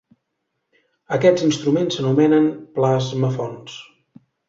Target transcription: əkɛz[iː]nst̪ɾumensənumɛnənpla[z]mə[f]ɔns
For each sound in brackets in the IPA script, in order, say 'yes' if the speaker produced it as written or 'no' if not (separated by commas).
no, yes, yes